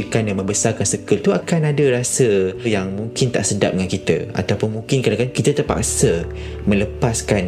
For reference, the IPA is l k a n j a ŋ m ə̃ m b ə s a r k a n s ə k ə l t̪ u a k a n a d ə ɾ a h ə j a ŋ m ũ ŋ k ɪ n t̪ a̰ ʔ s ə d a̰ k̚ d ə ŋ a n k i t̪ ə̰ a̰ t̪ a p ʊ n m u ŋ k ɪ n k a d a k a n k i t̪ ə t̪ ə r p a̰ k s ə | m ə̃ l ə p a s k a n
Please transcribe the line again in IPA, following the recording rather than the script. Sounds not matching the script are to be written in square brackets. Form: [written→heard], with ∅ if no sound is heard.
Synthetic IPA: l k a n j a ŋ m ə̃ m b ə s a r k a n s ə k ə l t̪ u a k a n a d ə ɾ a [h→s] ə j a ŋ m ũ ŋ k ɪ n t̪ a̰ ʔ s ə d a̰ [k̚→p̚] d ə ŋ a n k i t̪ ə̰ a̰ t̪ a p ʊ n m u ŋ k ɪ n k a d a k a n k i t̪ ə t̪ ə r p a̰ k s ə | m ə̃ l ə p a s k a n